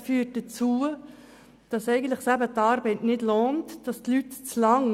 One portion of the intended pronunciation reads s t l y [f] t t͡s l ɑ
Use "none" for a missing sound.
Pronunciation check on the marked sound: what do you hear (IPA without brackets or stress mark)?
none